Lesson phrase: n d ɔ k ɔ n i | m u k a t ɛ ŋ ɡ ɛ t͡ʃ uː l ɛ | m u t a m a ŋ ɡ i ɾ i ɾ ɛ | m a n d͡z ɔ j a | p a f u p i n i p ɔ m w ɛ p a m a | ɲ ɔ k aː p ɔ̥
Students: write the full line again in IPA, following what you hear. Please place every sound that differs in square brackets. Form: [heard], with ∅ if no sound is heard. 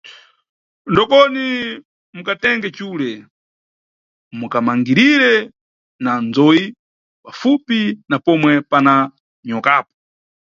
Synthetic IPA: n d ɔ k ɔ n i | m u k a t ɛ ŋ ɡ ɛ t͡ʃ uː l ɛ | m u [k] a m a ŋ ɡ i ɾ i ɾ ɛ | [n] a n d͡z ɔ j [i] | p a f u p i n [a] p ɔ m w ɛ p a [n] a | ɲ ɔ k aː p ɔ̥

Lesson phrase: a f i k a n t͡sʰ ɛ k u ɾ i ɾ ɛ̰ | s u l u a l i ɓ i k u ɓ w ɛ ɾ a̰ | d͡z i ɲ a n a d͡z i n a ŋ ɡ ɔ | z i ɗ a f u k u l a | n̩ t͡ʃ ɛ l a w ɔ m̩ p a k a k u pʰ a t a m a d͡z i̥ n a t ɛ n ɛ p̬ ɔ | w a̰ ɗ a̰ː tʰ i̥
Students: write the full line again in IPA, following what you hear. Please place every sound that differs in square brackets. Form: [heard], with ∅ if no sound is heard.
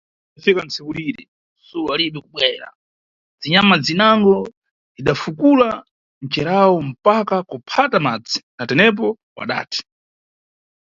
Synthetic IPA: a f i k a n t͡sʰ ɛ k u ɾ i ɾ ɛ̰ | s u l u a l i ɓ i k u ɓ w ɛ ɾ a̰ | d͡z i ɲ a [m] a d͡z i n a ŋ ɡ ɔ | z i ɗ a f u k u l a | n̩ t͡ʃ ɛ [ɾ] a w ɔ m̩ p a k a k u pʰ a t a m a d͡z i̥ n a t ɛ n ɛ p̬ ɔ | w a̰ ɗ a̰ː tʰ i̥

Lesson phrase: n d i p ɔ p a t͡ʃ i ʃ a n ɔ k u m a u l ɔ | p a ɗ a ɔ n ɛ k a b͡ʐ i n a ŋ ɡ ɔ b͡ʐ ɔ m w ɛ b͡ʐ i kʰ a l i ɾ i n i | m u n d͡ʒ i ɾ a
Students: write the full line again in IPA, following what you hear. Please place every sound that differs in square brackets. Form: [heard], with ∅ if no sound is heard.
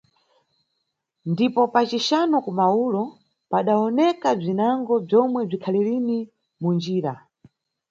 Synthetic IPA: n d i p ɔ p a t͡ʃ i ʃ a n ɔ k u m a u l ɔ | p a ɗ a ɔ n ɛ k a b͡ʐ i n a ŋ ɡ ɔ b͡ʐ ɔ m w ɛ b͡ʐ i kʰ a l i ɾ i n i | m u n d͡ʒ [iː] ɾ a

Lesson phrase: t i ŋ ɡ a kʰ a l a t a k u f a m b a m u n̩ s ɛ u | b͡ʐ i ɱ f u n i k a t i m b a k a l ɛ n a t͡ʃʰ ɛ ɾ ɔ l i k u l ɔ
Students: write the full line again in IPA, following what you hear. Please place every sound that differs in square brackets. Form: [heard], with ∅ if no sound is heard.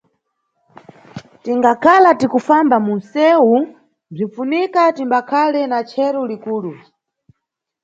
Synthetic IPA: t i ŋ ɡ a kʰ a l a t [i] k u f a m b a m u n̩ s ɛ u | b͡ʐ i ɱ f u n i k a t i m b a [kʰ] a l ɛ n a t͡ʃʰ ɛ ɾ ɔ l i k [uː] l [u]

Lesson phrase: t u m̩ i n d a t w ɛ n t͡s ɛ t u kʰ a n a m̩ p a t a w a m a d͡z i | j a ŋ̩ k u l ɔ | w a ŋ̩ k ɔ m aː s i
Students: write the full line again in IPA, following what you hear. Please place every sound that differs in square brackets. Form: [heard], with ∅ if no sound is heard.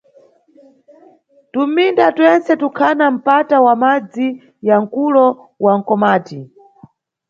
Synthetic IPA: t u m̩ i n d a t w ɛ n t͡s ɛ t u kʰ a n a m̩ p a t a w a m a d͡z i | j a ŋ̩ k u l ɔ | w a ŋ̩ k ɔ m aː [t] i

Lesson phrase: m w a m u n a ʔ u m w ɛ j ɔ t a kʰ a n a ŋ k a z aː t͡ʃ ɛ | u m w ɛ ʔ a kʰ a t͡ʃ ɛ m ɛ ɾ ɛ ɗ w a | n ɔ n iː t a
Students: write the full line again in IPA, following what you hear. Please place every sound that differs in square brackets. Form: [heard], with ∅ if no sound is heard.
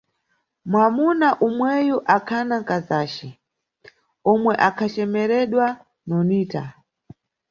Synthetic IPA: m w a m u n a ʔ u m w ɛ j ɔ [ʔ] a kʰ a n a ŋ k a z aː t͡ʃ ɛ | [ɔ] m w ɛ ʔ a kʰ a t͡ʃ ɛ m ɛ ɾ ɛ ɗ w a | n ɔ n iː t a

